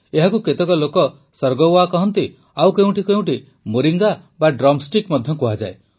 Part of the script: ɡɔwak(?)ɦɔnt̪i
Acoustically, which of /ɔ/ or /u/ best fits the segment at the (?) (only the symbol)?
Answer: ɔ